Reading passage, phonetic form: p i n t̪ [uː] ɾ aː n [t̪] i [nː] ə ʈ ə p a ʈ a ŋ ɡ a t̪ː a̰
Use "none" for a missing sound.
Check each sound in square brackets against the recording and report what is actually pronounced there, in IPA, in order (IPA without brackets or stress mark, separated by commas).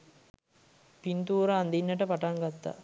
uː, d̪, nː